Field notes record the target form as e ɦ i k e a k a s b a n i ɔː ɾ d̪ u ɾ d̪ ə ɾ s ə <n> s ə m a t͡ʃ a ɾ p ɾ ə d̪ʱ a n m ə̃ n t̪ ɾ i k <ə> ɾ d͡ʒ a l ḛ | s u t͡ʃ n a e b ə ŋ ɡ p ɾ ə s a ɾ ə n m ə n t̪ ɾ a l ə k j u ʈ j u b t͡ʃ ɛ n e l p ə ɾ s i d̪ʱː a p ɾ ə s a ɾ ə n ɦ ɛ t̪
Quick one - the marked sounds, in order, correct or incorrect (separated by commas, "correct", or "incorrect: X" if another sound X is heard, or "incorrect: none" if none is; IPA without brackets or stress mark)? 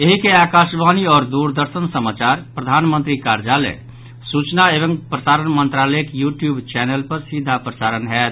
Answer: correct, incorrect: a